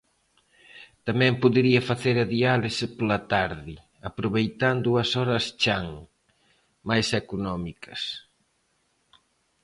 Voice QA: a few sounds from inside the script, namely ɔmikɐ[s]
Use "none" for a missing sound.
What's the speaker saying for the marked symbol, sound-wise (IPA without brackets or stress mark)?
s